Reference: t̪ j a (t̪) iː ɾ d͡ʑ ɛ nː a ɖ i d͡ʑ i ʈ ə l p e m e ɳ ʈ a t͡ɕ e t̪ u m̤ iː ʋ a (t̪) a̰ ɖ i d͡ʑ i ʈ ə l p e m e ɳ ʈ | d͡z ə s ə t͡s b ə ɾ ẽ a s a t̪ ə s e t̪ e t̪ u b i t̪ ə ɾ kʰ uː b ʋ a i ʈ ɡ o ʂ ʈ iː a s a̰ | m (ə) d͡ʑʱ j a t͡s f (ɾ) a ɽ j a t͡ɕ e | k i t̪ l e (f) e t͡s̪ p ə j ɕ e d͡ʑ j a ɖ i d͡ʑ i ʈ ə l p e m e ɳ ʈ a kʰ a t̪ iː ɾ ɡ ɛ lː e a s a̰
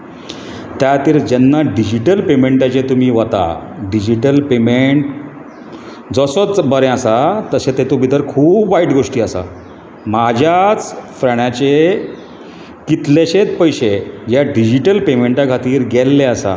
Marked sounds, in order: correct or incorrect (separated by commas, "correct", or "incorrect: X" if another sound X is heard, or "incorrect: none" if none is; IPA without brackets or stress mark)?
correct, correct, incorrect: a, correct, incorrect: ɕ